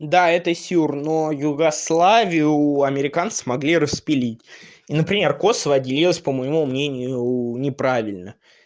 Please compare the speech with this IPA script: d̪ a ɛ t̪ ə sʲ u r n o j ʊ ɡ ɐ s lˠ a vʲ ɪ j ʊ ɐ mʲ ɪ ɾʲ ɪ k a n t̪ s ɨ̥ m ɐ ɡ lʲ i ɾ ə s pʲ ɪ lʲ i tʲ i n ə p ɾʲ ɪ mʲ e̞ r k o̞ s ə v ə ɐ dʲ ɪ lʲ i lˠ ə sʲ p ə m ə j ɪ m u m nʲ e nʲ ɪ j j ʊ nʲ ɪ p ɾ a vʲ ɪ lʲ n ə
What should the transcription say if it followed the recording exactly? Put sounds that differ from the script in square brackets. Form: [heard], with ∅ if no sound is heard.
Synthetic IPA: d̪ a ɛ t̪ ə sʲ u r n o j ʊ ɡ ɐ s lˠ a vʲ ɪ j ʊ ɐ mʲ ɪ ɾʲ ɪ k a n t̪ s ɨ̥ m ɐ ɡ lʲ i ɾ ə s pʲ ɪ lʲ i tʲ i n ə p ɾʲ ɪ mʲ e̞ r k o̞ s ə v ə ɐ dʲ ɪ lʲ i lˠ ə sʲ p ə m ə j ɪ m u m nʲ e nʲ ɪ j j ʊ nʲ ɪ p ɾ a vʲ ɪ lʲ n ə